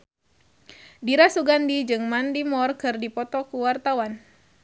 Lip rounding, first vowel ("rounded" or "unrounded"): unrounded